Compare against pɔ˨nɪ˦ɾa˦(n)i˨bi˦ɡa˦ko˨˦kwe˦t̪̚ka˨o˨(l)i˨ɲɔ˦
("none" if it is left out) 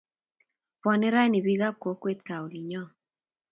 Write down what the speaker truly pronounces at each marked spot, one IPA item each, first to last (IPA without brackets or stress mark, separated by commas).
n, l